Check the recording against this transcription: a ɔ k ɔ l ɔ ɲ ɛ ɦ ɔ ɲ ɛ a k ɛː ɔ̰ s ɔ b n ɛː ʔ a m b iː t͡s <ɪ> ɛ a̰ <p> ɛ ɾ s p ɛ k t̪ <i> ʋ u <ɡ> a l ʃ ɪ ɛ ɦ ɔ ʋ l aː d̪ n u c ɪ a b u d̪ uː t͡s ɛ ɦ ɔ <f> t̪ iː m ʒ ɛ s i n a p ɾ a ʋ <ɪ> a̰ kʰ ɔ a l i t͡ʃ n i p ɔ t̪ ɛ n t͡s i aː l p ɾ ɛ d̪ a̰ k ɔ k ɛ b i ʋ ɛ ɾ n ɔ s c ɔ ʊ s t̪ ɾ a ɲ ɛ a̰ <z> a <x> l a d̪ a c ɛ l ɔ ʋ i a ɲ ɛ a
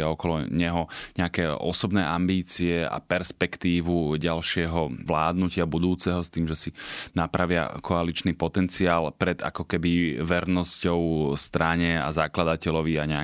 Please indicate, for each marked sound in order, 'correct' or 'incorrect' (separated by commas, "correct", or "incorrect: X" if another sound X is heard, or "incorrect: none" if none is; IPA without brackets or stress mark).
incorrect: i, correct, incorrect: iː, incorrect: ɟ, incorrect: s, correct, correct, incorrect: k